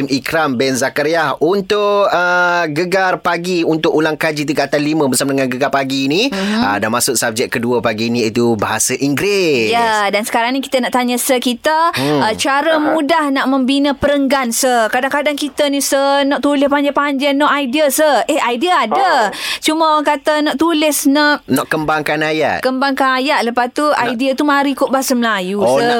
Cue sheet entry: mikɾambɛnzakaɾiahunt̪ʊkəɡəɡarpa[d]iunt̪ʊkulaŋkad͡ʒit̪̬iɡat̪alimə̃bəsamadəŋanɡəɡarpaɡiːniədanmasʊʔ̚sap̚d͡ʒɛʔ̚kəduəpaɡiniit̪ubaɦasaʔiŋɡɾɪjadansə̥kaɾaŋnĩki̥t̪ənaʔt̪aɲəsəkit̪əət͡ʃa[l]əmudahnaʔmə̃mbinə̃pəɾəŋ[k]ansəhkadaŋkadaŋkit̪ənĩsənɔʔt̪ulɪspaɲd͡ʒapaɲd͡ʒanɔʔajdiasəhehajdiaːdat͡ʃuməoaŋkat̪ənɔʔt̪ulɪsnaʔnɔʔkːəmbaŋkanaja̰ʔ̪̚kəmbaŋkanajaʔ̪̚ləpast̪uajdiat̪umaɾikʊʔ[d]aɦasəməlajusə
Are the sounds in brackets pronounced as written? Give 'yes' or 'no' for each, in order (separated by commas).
no, no, no, no